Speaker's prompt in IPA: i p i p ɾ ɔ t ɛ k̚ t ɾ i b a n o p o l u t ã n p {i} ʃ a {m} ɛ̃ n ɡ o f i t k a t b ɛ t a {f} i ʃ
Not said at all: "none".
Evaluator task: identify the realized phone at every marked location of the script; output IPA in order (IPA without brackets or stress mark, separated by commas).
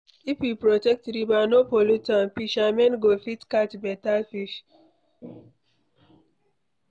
i, m, f